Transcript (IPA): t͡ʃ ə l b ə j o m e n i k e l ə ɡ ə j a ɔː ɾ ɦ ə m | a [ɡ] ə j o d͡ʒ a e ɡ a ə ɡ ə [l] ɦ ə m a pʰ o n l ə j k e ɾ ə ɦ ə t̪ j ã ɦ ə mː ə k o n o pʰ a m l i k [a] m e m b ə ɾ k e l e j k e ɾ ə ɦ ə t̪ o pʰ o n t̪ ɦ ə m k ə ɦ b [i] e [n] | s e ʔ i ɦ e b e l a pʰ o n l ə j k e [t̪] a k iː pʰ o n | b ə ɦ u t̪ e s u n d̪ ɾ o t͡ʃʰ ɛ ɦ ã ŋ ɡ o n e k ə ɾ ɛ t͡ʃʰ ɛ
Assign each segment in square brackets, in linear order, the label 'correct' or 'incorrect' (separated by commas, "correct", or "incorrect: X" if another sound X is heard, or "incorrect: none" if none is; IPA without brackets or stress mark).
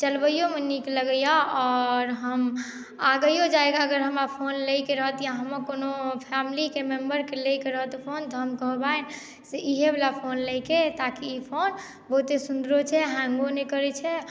correct, incorrect: ɾ, incorrect: e, incorrect: a, correct, correct